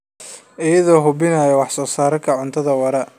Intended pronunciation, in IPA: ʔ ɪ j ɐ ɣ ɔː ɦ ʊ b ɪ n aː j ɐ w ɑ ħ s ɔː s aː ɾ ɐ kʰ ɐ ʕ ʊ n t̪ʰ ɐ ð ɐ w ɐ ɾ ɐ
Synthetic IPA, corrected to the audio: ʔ ɪ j ɐ ð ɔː ɦ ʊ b ɪ n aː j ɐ w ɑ ħ s ɔː s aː ɾ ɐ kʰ ɐ ʕ ʊ n t̪ʰ ɐ ð ɐ w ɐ ɾ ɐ